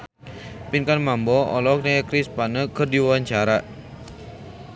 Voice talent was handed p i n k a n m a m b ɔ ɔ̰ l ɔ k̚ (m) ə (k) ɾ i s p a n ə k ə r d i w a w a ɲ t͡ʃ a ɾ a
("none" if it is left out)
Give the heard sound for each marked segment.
n, k

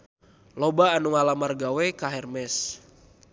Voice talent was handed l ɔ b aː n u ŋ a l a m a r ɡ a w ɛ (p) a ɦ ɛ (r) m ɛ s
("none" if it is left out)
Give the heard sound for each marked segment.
k, r

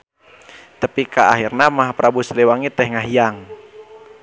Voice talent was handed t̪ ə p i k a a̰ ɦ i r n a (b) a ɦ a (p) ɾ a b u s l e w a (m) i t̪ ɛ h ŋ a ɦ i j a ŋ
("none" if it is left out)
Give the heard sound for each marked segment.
m, p, ŋ

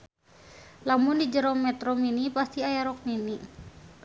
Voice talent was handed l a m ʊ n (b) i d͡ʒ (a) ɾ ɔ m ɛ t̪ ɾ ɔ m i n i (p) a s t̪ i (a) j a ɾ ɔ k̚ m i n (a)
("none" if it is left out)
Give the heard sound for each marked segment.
d, ə, p, a, i

